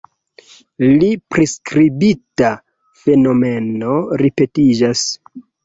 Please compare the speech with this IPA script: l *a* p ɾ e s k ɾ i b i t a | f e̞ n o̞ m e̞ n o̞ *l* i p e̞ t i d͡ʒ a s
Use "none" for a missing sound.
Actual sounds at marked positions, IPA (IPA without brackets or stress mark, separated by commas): i, ɾ